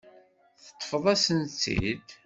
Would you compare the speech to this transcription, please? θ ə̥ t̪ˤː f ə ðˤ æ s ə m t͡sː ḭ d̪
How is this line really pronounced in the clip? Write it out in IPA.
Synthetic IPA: θ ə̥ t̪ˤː f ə ðˤ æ s ə n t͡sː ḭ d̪